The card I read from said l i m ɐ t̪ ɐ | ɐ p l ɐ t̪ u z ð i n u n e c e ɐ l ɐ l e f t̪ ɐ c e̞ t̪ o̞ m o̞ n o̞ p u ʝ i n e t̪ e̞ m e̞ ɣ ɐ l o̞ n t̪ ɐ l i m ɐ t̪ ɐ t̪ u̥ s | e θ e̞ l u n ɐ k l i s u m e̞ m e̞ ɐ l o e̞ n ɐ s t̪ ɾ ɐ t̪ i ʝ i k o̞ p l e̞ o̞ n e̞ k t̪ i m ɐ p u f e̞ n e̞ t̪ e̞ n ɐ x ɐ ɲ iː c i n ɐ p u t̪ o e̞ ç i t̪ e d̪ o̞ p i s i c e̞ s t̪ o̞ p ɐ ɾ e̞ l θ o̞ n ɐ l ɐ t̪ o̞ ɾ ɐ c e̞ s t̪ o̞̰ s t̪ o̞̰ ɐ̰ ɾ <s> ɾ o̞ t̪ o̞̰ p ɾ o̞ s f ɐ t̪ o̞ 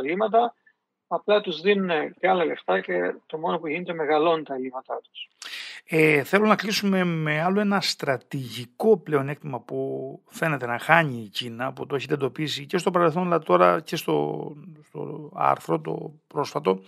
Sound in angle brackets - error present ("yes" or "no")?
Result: yes